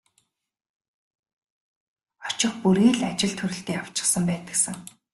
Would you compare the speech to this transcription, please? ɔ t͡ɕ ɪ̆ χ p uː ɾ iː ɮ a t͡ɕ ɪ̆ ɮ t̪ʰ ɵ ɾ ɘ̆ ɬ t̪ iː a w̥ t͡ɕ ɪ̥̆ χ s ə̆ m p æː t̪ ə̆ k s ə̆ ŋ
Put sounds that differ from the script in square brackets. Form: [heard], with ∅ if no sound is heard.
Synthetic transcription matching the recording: ɔ t͡ɕ ɪ̆ χ p [u] ɾ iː ɮ a t͡ɕ ɪ̆ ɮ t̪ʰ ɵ ɾ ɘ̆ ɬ t̪ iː a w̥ t͡ɕ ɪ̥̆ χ s ə̆ m p æː t̪ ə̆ k s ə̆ ŋ